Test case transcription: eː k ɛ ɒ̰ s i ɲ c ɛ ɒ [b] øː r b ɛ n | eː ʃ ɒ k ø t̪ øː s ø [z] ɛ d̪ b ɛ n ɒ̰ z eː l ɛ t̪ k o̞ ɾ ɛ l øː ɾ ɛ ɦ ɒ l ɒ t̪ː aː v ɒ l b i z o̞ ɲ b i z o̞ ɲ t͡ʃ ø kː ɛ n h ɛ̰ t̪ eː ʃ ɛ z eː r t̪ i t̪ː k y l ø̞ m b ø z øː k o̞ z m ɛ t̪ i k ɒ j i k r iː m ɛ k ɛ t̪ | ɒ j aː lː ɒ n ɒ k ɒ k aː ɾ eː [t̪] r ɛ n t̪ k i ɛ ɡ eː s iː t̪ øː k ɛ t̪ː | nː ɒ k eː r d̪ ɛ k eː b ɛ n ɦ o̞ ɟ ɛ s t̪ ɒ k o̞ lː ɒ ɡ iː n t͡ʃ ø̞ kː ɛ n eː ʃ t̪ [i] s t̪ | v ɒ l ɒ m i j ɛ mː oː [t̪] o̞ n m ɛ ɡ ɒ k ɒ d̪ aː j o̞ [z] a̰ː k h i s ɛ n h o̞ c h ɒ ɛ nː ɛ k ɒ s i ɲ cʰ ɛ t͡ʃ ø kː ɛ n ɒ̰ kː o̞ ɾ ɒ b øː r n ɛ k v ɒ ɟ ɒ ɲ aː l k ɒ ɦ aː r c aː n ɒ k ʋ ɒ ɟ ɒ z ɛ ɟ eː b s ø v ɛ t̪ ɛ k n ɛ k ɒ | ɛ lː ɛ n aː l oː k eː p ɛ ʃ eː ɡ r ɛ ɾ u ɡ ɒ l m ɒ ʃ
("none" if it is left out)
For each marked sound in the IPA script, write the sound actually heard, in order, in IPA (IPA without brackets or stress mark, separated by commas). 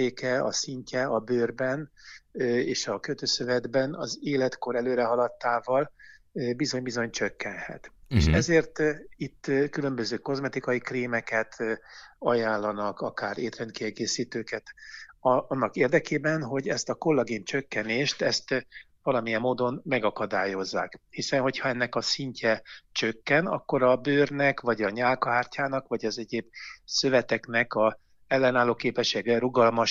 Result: b, v, t̪, ɛ, d̪, zː